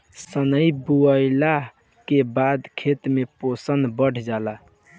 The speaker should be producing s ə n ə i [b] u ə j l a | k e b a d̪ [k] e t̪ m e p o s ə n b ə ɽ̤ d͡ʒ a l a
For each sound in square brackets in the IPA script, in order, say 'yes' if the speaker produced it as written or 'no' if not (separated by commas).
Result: yes, no